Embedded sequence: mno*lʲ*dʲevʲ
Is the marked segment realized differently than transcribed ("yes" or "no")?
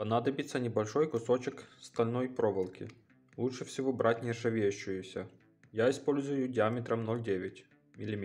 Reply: no